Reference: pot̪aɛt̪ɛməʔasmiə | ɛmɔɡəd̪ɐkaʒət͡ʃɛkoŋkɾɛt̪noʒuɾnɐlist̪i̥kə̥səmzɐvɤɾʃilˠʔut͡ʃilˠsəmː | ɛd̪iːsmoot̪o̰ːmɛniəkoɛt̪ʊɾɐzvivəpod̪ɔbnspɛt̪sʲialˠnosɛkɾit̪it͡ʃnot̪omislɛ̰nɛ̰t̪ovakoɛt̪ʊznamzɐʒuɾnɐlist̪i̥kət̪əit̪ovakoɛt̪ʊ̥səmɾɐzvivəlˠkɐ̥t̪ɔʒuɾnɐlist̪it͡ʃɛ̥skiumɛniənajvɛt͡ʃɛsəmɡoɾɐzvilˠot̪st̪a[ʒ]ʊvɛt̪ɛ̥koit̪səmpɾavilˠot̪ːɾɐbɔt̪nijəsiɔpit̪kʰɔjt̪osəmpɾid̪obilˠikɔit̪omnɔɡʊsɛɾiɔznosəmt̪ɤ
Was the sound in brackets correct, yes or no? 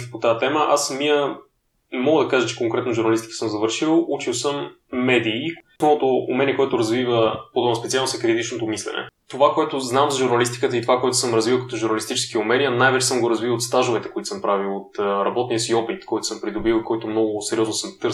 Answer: yes